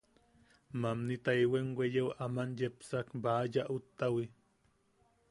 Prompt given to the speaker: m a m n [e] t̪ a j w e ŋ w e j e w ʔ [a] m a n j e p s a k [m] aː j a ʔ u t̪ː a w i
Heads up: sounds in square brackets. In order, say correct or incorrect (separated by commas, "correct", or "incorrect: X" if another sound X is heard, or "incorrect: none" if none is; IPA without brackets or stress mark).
incorrect: i, correct, incorrect: b